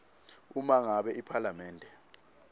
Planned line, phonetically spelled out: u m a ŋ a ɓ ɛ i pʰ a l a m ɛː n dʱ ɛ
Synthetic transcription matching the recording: u m a ŋ a ɓ ɛ i pʰ a l a m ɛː n dʱ ɛ